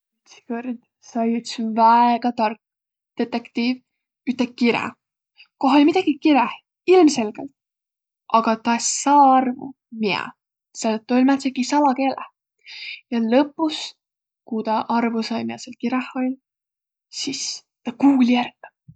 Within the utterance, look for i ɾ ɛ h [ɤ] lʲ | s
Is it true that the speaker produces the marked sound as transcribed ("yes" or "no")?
no